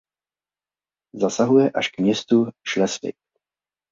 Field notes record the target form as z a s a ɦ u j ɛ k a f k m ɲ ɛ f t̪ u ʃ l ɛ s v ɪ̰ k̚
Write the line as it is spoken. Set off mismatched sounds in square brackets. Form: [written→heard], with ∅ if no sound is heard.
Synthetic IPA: z a s a ɦ u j ɛ [k→ʔ] a [f→ʃ] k m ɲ ɛ [f→s] t̪ u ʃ l ɛ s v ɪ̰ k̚